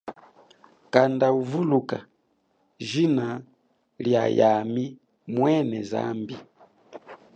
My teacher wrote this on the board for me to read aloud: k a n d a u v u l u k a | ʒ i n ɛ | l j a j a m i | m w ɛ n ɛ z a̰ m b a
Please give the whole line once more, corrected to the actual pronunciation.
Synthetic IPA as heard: k a n d a u v u l u k a | ʒ i n a | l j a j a m i | m w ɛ n ɛ z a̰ m b i